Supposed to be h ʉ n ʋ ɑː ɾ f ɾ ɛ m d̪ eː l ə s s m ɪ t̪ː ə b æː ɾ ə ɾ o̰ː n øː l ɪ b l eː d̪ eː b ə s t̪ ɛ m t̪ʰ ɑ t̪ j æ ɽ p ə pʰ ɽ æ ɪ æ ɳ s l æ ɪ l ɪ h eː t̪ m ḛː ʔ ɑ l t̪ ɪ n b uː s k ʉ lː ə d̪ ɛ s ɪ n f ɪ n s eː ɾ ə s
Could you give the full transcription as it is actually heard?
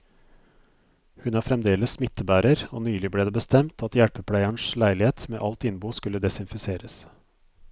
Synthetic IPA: h ʉ n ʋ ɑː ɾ f ɾ ɛ m d̪ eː l ə s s m ɪ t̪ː ə b æː ɾ ə ɾ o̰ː n yː l ɪ b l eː d̪ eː b ə s t̪ ɛ m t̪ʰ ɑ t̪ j æ ɽ p ə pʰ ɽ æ ɪ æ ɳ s l æ ɪ l ɪ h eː t̪ m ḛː ʔ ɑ l t̪ ɪ n b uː s k ʉ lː ə d̪ ɛ s ɪ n f ɪ s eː ɾ ə s